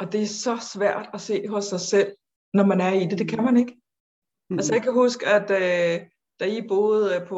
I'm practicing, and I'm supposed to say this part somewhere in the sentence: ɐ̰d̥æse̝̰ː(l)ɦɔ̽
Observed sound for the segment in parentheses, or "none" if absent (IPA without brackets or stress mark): none